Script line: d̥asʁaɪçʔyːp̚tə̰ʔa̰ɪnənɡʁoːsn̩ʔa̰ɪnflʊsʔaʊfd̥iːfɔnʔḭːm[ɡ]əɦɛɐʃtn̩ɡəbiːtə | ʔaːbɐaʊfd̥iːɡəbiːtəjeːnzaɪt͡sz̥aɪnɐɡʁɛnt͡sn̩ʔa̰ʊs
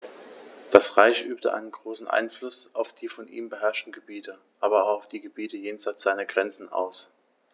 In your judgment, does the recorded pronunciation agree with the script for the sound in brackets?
no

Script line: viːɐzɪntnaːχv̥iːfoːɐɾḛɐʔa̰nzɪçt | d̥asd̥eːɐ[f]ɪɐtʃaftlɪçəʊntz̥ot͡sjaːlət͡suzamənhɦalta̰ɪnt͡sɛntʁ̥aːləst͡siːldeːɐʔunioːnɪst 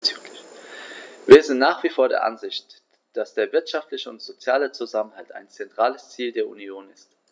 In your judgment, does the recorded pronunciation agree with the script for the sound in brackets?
no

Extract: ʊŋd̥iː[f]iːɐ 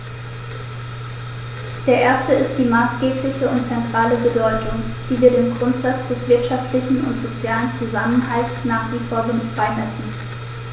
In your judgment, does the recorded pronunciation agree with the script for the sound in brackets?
no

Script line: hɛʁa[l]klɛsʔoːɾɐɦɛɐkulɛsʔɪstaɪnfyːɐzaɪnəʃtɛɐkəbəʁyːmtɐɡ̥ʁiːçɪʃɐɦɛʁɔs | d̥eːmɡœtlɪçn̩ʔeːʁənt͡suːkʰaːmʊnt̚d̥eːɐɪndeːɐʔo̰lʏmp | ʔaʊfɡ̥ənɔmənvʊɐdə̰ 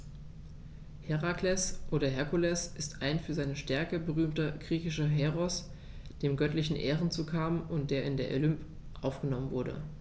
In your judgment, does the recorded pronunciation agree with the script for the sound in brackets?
no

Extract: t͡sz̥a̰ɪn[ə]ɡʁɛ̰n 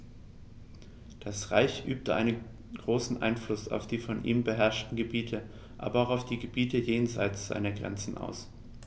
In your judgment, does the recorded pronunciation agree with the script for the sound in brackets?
no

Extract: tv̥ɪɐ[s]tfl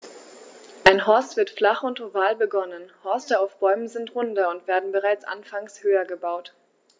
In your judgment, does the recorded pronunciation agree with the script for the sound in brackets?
no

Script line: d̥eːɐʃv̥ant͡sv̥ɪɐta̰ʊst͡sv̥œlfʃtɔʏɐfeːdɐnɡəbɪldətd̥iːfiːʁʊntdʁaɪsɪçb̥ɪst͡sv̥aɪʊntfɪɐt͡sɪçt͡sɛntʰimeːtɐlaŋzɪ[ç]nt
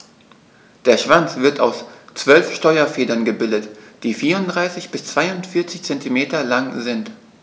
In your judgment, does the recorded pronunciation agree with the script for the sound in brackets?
no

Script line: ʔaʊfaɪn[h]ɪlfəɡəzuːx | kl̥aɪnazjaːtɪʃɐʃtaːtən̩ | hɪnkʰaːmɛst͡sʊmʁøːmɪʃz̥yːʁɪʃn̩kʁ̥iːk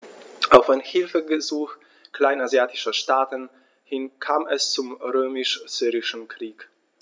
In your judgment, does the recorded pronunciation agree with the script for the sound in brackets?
yes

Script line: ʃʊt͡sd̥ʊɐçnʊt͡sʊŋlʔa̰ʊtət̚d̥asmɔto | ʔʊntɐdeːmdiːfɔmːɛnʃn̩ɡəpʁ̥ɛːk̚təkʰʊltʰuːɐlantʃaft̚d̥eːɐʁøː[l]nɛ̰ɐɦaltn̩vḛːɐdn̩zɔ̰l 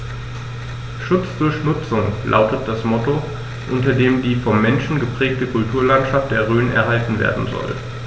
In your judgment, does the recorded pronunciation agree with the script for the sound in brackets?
no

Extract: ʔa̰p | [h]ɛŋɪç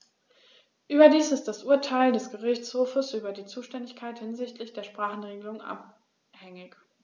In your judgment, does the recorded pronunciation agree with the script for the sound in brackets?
yes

